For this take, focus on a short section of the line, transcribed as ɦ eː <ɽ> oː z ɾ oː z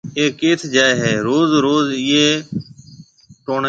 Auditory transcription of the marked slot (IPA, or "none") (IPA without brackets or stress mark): ɾ